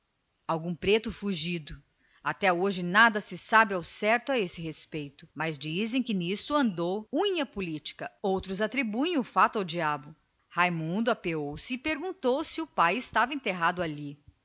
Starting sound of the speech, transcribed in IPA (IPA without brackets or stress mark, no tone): a